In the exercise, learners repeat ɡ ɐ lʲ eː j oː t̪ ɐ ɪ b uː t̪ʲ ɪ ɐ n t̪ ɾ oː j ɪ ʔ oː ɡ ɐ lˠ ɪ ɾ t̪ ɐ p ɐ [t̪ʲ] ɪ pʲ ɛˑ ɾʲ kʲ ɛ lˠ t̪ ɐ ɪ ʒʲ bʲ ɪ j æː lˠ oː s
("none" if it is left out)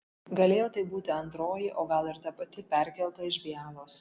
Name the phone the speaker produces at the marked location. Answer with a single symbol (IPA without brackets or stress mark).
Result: t̪ʲ